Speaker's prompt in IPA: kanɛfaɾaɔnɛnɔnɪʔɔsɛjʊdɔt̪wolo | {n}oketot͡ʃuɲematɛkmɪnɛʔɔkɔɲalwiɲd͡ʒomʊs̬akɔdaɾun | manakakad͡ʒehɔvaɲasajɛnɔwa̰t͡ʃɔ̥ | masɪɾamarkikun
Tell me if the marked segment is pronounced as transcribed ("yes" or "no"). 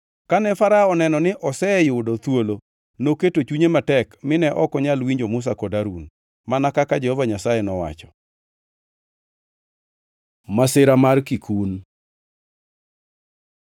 yes